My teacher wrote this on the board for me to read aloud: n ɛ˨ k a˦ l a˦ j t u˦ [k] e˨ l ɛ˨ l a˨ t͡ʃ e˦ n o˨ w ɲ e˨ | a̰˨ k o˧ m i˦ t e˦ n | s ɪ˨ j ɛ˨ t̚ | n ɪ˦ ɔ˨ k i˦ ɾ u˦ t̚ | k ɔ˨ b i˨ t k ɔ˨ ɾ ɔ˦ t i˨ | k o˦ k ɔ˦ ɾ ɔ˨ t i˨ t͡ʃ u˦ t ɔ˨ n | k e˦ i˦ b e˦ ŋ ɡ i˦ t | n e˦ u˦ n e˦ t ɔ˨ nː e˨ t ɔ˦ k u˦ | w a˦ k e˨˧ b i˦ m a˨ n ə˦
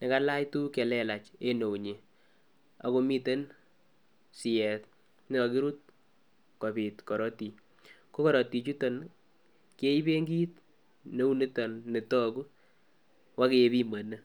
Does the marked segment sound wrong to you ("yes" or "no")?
no